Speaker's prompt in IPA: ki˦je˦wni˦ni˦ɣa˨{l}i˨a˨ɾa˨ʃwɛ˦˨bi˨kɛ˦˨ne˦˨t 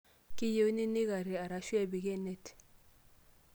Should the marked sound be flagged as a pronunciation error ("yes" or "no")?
yes